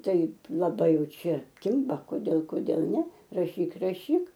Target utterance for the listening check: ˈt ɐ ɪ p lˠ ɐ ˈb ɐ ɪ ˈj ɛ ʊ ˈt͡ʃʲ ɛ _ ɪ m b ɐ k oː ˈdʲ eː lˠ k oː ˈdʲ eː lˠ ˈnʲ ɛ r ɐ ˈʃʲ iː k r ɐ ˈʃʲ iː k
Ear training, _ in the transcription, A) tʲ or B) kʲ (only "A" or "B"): B